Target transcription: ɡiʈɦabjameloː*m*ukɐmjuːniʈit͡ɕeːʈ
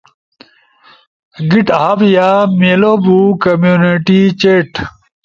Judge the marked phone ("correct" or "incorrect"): incorrect